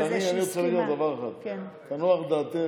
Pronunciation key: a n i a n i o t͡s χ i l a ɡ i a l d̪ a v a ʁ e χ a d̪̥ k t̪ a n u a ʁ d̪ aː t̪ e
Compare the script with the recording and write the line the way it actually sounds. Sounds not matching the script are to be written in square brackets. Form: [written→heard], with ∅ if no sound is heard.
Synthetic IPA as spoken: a n i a n i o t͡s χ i l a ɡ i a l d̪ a v a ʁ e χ a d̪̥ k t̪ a n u a [ʁ→χ] d̪ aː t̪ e

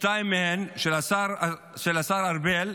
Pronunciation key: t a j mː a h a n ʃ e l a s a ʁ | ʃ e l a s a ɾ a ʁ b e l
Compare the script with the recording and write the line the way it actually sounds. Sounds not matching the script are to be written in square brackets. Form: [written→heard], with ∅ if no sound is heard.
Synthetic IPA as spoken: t a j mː [a→e] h [a→e] n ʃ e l a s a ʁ | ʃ e l a s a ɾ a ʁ b e l

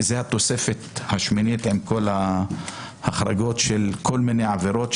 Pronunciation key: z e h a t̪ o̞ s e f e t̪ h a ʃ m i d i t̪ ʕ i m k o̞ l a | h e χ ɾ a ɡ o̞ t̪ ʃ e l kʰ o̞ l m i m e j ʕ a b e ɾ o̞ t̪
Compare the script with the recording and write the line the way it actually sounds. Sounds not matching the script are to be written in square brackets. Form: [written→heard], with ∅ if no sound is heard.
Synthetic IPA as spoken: z e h a t̪ o̞ s e f e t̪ h a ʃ m i [d→n] i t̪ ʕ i m k o̞ l a | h [e→a] χ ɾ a ɡ o̞ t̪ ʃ e l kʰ o̞ l m i [m→n] e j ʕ a [b→v] e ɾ o̞ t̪

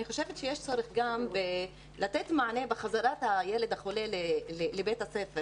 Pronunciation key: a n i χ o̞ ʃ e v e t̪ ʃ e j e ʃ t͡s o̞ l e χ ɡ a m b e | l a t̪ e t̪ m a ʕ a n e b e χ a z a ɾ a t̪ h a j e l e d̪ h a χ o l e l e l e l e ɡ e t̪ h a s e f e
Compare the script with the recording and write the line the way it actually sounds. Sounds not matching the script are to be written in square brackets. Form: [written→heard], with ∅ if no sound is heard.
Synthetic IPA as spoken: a n i χ o̞ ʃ e v e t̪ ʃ e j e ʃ t͡s o̞ [l→ɾ] e χ ɡ a m b e | l a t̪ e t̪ m a ʕ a n e b e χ a z a ɾ a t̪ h a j e l e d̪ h a χ o l e l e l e l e [ɡ→b] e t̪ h a s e f e

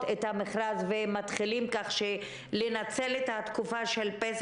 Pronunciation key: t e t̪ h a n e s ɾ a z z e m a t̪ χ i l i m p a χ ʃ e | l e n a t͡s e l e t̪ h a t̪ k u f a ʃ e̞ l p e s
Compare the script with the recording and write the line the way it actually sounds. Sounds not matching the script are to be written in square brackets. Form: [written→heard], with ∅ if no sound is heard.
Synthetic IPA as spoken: t e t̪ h a [n→m] e [s→χ] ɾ a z [z→v] e m a t̪ χ i l i m [p→k] a χ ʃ e | l e n a t͡s e l e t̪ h a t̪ k u f a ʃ e̞ l p e s

